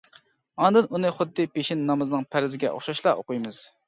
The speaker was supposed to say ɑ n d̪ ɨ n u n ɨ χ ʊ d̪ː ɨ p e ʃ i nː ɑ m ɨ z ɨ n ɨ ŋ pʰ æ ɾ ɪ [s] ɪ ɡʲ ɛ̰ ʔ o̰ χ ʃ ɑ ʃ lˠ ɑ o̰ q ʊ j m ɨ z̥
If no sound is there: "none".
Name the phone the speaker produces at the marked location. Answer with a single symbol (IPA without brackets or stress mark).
z